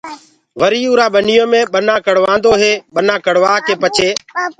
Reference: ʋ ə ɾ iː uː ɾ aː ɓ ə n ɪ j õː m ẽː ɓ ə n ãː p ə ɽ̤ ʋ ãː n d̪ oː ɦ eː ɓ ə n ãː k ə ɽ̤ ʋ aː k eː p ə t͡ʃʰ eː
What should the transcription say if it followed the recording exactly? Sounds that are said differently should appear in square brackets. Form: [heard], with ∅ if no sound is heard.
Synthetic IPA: ʋ ə ɾ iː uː ɾ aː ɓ ə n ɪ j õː m ẽː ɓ ə n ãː [k] ə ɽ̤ ʋ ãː n d̪ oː ɦ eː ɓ ə n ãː k ə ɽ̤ ʋ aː k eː p ə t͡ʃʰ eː